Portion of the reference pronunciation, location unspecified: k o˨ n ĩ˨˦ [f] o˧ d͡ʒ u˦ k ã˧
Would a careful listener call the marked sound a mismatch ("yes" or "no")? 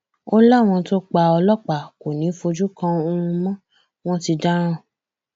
no